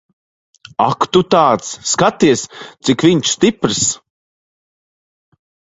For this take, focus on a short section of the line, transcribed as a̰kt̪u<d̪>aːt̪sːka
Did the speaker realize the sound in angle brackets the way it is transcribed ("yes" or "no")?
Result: no